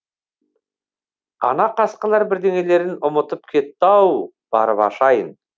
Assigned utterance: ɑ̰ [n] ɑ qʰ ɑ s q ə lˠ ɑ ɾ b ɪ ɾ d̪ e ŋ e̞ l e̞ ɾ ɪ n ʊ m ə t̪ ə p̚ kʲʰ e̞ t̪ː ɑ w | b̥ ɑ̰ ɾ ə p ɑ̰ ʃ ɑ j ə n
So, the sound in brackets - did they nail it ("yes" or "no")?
yes